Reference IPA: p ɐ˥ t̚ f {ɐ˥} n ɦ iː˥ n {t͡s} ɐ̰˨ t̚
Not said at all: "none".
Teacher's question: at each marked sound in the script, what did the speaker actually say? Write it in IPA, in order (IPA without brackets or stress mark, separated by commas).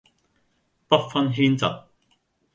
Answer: ɐ˥, t͡s